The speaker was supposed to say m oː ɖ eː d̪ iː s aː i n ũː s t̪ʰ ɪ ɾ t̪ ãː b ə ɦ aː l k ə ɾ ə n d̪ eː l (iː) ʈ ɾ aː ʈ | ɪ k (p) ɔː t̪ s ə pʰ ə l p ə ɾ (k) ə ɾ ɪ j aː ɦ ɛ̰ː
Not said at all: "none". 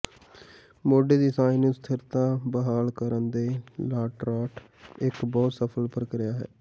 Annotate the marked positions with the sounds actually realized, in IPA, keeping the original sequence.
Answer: aː, b, k

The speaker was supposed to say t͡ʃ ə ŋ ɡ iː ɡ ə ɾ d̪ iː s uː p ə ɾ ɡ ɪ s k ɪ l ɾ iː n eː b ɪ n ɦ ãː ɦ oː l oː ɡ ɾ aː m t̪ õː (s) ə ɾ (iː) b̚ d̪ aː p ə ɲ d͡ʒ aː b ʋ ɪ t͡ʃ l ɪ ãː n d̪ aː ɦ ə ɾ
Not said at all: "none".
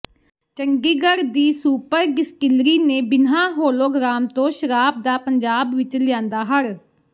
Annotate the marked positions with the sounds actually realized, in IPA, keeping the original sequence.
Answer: ʃ, aː

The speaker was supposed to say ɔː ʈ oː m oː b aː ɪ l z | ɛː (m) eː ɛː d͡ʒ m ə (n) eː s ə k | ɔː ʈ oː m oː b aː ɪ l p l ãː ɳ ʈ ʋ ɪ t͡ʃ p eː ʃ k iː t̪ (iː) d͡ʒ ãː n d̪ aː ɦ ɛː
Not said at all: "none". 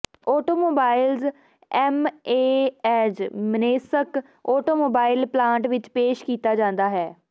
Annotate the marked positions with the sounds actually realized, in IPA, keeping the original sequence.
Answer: m, n, aː

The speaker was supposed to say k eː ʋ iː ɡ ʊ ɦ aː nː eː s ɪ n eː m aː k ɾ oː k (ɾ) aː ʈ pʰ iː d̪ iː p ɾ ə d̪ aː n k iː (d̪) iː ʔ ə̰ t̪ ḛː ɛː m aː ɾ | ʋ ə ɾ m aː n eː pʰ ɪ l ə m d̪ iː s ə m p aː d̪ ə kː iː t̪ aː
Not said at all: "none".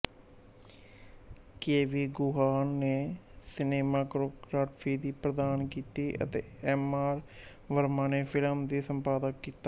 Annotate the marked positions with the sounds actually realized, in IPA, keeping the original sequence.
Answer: ɾ, t̪

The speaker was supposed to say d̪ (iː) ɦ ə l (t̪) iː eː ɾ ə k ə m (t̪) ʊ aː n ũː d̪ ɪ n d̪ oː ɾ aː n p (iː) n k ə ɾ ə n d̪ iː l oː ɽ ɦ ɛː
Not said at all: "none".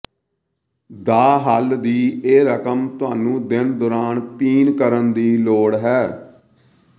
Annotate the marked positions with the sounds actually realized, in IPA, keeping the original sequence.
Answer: aː, d̪, t̪, iː

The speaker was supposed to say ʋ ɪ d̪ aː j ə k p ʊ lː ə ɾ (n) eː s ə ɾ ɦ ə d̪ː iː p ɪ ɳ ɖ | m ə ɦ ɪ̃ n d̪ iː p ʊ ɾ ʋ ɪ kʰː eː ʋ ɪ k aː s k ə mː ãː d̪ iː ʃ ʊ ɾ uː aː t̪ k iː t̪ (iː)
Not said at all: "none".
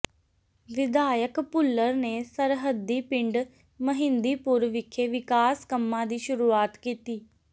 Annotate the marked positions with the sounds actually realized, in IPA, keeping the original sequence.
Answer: n, iː

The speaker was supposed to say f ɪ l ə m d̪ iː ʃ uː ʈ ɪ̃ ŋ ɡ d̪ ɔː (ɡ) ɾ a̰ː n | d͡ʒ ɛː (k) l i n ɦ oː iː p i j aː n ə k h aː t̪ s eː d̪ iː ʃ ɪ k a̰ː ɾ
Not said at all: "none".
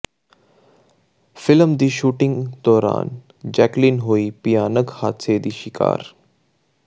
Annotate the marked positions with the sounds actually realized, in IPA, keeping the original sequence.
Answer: none, k

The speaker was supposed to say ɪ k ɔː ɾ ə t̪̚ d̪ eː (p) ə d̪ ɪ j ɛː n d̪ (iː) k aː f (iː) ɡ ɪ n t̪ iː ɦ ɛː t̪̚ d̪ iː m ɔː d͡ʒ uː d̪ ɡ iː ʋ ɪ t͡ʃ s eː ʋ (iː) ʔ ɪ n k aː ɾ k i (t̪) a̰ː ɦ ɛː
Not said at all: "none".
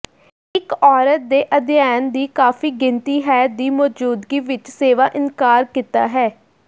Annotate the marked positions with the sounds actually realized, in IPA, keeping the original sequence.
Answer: ʔ, iː, iː, aː, t̪

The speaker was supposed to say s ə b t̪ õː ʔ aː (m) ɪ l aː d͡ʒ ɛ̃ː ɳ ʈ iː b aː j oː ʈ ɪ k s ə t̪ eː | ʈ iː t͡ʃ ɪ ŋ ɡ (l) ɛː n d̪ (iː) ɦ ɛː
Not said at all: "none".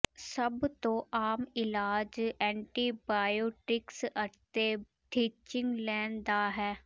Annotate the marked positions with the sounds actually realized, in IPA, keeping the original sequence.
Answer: m, l, aː

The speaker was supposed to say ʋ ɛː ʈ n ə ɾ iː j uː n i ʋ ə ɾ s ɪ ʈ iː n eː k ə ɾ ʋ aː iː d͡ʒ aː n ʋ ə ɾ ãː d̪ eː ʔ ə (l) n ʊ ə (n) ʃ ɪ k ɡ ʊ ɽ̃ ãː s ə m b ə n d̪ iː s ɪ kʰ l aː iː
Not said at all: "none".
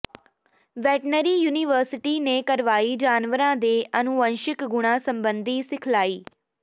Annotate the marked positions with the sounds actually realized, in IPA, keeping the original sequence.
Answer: none, n

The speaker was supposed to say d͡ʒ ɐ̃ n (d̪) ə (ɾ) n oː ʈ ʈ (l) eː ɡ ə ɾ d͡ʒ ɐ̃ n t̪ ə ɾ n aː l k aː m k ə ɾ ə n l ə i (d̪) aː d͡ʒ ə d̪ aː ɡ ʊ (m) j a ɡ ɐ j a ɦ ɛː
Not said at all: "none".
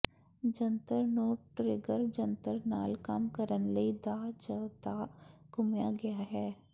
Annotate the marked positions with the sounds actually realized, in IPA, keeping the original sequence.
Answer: t̪, ɾ, ɾ, d̪, m

